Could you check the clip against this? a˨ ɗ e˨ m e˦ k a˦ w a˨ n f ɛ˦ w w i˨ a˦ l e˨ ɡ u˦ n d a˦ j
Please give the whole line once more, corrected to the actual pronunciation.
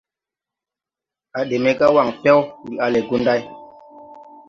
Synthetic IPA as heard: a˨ ɗ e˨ m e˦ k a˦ w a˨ ŋ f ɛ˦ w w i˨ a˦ l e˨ ɡ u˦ n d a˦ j